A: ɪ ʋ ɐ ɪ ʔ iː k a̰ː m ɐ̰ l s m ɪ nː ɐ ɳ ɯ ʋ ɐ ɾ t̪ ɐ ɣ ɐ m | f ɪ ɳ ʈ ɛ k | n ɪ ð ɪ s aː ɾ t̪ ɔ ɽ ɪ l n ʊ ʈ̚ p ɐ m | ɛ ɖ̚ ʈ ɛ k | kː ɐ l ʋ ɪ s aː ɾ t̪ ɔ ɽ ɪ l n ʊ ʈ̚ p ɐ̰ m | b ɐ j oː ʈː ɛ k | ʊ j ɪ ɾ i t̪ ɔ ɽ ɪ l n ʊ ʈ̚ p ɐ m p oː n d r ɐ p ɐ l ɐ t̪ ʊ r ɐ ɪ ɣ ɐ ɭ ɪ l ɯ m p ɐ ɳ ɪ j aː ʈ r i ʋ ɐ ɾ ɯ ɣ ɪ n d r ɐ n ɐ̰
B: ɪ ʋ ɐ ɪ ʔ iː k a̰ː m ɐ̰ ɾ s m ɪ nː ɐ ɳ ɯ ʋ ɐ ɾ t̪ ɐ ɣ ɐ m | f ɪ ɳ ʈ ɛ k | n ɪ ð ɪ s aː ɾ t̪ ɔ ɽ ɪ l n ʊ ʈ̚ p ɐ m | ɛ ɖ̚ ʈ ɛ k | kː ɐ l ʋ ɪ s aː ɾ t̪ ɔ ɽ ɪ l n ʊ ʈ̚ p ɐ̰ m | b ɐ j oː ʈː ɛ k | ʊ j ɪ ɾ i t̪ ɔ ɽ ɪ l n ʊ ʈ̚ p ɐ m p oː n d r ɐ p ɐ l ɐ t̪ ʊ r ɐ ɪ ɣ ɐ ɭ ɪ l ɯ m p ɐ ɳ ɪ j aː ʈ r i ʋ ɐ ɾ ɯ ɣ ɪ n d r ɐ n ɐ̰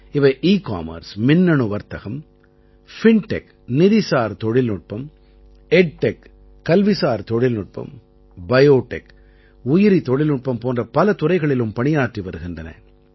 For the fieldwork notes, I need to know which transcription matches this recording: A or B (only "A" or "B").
B